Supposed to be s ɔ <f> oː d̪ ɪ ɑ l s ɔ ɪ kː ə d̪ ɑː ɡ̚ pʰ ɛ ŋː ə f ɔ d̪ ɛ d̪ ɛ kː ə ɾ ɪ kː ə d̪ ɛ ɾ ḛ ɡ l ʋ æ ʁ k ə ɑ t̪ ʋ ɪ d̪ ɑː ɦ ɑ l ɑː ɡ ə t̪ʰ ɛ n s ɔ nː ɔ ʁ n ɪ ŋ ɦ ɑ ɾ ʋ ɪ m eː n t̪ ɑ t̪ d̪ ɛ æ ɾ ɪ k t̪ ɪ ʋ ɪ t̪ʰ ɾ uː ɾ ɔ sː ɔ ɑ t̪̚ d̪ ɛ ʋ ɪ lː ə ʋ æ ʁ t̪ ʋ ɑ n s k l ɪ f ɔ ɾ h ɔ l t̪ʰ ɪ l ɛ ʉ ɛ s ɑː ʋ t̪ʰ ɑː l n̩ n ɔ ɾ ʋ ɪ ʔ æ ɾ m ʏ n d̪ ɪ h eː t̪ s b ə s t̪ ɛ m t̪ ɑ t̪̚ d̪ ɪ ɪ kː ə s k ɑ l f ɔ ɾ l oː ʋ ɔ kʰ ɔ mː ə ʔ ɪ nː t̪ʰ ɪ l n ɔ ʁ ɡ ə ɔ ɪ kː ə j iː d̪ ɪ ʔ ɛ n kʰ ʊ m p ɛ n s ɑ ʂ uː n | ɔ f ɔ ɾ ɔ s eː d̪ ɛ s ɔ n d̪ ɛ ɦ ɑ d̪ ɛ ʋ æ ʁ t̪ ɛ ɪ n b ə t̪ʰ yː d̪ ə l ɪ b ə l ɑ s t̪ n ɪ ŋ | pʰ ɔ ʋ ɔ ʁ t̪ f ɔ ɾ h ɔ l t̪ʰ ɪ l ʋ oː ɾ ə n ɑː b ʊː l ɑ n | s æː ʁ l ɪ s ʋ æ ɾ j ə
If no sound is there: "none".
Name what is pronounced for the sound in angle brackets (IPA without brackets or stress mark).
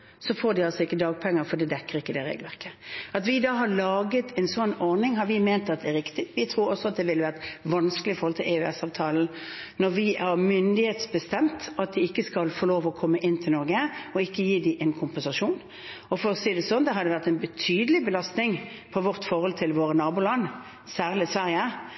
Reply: f